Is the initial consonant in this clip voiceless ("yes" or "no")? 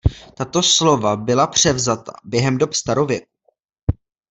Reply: yes